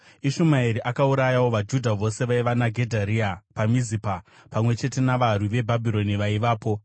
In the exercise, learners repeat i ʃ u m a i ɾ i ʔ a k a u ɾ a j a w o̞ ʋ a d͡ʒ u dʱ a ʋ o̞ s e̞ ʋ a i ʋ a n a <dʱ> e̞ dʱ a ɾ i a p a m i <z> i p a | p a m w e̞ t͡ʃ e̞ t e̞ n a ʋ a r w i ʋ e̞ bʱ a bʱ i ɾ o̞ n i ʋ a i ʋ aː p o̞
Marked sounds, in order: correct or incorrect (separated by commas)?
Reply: incorrect, correct